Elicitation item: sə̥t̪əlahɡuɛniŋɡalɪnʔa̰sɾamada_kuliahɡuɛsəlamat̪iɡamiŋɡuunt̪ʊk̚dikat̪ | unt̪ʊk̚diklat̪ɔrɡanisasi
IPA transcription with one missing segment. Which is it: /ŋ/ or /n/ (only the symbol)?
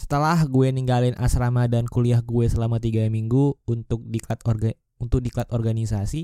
n